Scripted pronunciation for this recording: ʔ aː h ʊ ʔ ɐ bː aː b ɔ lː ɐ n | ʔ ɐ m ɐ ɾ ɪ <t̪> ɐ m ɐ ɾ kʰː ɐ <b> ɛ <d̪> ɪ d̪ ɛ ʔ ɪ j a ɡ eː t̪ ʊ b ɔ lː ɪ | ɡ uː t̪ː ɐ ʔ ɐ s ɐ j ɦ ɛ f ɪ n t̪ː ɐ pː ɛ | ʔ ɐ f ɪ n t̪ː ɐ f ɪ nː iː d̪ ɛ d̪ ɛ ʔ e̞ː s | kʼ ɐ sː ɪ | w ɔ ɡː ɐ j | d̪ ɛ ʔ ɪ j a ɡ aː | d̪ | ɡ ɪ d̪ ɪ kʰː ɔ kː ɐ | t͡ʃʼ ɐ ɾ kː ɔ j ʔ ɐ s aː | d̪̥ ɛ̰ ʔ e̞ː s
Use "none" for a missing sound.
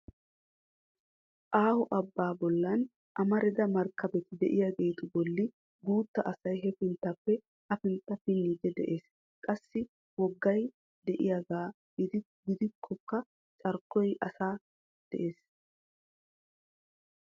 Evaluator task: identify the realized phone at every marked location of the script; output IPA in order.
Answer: d̪, b, t̪

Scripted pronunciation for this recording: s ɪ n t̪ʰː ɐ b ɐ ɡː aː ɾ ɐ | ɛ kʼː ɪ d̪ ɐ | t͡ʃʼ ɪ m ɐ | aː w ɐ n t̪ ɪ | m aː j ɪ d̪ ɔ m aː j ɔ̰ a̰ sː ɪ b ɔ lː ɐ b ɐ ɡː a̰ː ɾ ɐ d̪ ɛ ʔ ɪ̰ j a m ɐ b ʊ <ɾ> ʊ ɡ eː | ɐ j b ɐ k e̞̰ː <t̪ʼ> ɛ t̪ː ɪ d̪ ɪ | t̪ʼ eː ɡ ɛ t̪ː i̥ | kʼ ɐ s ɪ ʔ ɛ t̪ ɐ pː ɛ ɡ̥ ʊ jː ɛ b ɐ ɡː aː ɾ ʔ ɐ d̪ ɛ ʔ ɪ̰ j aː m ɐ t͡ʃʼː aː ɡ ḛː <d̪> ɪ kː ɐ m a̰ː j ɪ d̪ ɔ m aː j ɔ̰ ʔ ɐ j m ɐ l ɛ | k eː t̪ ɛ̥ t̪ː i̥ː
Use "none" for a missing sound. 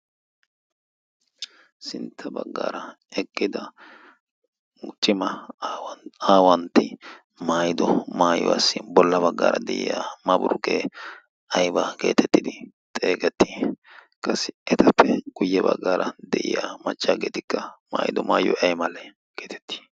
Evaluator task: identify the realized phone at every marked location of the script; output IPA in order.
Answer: ɾ, t̪, t̪

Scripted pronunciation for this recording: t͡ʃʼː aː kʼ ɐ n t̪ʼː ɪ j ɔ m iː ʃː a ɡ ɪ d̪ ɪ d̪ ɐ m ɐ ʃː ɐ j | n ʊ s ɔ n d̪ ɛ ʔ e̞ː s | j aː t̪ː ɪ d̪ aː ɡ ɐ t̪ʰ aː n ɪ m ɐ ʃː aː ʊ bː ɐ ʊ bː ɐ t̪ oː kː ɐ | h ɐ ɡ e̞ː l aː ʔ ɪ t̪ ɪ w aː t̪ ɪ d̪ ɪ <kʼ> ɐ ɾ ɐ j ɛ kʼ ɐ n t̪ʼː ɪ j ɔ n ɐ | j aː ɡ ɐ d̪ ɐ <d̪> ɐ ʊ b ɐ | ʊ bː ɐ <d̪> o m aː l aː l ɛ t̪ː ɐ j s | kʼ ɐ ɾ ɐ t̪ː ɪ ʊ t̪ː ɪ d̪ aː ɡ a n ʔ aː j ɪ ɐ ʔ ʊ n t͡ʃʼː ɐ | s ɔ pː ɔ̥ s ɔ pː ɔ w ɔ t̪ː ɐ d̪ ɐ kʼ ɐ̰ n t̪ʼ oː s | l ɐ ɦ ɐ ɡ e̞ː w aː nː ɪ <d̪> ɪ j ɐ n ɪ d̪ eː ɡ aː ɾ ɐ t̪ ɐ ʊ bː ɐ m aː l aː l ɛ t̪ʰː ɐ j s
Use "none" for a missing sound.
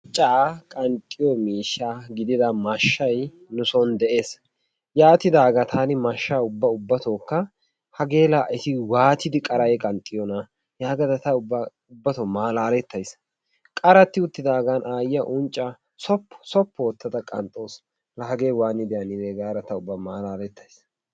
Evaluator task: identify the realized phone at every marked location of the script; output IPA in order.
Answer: kʼ, t̪, t̪, d̪

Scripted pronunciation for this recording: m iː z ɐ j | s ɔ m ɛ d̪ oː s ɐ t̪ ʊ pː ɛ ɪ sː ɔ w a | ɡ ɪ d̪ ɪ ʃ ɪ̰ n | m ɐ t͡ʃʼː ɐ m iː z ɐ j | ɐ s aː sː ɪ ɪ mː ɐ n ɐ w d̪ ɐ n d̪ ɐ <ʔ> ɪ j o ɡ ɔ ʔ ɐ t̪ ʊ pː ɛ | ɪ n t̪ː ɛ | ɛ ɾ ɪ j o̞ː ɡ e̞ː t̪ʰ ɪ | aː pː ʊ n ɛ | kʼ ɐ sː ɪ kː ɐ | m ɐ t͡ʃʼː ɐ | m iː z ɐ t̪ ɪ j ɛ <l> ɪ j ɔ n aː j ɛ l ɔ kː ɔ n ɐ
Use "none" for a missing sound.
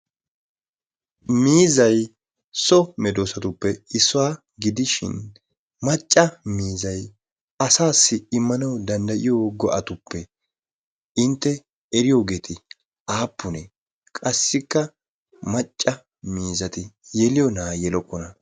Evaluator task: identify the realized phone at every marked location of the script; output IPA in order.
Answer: ʔ, l

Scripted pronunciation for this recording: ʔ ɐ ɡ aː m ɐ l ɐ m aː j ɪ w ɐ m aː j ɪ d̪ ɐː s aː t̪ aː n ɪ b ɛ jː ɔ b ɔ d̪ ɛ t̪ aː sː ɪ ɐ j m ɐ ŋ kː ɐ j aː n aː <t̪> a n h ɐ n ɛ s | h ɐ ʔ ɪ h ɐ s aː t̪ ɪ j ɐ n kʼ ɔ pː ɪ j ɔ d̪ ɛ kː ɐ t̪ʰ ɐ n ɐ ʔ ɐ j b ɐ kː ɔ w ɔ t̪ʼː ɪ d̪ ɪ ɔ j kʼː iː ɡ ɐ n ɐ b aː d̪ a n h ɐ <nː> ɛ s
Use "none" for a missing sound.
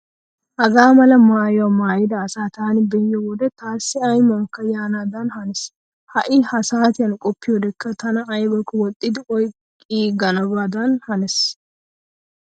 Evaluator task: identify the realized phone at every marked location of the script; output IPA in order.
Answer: d̪, n

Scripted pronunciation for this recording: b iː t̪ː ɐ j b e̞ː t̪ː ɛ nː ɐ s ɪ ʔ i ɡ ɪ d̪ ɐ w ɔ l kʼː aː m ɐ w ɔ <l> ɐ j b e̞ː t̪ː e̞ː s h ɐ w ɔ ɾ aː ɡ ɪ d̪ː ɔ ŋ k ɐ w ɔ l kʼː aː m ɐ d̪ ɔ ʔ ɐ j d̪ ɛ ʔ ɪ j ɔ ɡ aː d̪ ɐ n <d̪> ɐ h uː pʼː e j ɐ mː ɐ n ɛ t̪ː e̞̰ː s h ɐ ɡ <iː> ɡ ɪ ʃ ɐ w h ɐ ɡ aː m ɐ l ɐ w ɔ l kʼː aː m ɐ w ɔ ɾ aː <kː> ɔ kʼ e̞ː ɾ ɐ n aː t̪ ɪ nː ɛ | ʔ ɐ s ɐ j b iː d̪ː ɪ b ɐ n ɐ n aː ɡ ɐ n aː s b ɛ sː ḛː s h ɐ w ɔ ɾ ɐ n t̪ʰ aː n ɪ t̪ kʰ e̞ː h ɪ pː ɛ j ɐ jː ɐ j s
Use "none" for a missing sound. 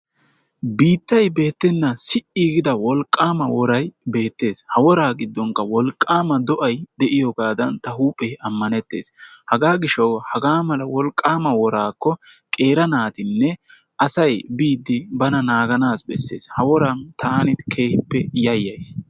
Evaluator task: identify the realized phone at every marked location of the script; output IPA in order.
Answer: ɾ, t̪, aː, kː

